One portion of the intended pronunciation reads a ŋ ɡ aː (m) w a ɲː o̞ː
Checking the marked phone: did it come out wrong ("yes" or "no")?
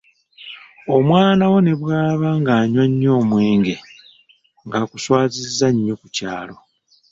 yes